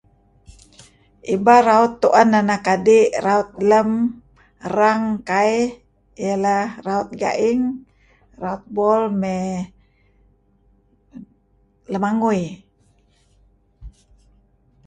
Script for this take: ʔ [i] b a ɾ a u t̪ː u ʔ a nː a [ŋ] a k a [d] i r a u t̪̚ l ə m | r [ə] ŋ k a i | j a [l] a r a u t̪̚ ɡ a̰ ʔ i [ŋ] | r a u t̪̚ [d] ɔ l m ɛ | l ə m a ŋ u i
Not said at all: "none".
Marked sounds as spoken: i, n, d, a, l, ŋ, b

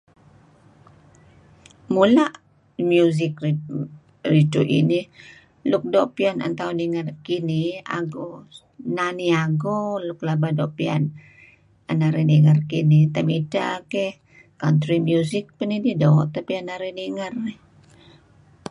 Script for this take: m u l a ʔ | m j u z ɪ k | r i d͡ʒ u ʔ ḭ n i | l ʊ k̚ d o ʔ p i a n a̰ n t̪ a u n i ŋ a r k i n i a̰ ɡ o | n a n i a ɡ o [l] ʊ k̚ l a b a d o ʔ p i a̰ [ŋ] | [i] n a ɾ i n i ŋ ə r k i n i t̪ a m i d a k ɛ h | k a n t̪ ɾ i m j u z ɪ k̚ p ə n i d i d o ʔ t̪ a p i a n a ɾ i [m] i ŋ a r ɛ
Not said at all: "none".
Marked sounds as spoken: l, n, a, n

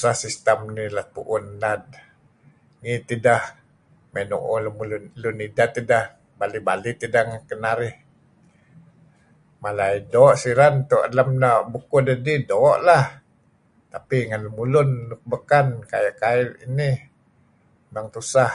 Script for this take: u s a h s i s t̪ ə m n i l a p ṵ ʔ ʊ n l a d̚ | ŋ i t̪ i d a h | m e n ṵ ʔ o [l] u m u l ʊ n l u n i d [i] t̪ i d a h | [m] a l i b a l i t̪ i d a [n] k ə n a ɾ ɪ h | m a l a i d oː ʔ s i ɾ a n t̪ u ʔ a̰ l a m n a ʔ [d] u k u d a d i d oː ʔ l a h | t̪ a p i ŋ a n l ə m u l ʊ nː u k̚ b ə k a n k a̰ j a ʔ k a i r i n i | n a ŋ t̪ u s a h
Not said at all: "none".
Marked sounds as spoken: l, a, b, ŋ, b

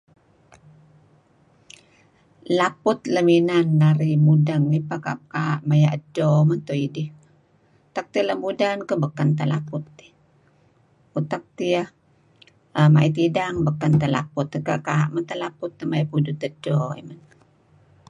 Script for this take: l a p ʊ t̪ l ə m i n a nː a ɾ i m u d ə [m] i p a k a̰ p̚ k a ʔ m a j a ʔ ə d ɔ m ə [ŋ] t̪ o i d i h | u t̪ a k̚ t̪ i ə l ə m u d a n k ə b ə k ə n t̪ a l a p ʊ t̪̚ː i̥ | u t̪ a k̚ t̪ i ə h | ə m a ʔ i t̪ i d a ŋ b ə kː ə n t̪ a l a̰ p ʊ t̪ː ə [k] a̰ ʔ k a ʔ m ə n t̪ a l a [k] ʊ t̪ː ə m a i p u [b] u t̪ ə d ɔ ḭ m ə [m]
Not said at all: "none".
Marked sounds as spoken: ŋ, n, k, p, d, n

